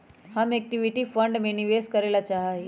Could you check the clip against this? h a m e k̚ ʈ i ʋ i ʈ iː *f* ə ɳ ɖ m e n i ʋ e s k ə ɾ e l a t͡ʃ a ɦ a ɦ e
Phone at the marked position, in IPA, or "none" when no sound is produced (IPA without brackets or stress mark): f